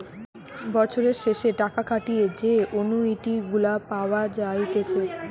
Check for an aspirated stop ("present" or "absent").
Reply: present